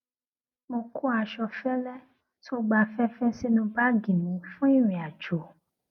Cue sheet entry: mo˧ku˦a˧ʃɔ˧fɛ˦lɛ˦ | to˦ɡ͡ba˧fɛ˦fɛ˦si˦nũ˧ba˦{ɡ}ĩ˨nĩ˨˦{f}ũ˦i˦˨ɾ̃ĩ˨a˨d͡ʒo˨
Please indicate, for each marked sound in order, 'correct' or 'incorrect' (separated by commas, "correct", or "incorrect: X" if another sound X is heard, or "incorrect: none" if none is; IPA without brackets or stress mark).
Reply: correct, correct